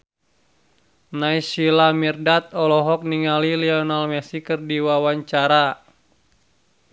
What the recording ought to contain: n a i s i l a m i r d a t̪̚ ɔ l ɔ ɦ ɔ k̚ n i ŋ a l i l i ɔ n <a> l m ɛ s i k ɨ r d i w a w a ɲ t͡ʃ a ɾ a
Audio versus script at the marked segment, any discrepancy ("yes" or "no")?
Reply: no